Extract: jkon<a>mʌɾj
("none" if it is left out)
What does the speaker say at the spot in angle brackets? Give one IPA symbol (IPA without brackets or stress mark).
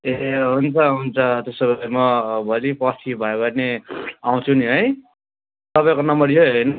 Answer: ʌ